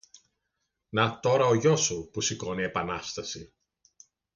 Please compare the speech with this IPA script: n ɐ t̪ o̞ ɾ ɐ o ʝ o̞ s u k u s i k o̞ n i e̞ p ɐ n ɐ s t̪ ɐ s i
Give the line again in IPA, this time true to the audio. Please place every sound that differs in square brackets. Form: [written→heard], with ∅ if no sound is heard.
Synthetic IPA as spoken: n ɐ t̪ o̞ ɾ ɐ o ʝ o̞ s u [k→p] u s i k o̞ n i e̞ p ɐ n ɐ s t̪ ɐ s i